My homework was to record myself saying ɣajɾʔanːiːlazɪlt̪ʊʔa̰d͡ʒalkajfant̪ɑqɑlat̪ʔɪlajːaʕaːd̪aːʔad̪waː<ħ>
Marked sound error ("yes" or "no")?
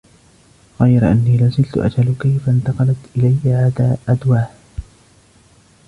yes